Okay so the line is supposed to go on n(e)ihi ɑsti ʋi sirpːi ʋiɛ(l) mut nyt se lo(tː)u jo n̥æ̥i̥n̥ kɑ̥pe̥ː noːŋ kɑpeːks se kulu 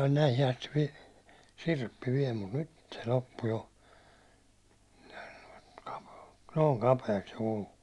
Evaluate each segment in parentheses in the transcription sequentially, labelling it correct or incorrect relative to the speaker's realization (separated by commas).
incorrect, correct, incorrect